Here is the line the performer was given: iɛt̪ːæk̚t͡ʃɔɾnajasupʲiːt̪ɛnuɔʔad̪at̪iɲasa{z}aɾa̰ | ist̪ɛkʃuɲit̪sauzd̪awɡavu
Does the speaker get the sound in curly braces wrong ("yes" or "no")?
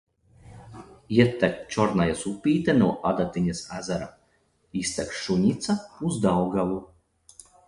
no